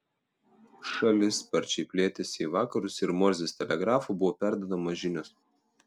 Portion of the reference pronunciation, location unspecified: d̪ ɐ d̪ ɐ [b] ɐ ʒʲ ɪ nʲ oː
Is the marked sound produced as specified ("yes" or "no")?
no